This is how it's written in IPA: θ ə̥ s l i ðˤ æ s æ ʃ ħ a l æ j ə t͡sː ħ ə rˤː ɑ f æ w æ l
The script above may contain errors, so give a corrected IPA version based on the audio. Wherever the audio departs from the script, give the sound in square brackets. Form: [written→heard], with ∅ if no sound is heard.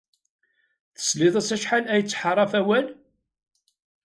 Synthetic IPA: θ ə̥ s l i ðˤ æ s æ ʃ ħ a l æ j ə t͡sː ħ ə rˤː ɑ f æ w æ l